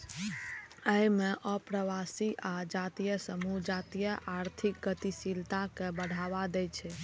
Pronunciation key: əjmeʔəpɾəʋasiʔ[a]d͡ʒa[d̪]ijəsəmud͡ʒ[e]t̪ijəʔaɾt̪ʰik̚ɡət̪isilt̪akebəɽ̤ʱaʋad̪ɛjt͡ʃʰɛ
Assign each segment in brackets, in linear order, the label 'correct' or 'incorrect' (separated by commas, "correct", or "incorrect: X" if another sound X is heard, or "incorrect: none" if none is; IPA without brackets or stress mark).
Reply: correct, incorrect: t̪, incorrect: a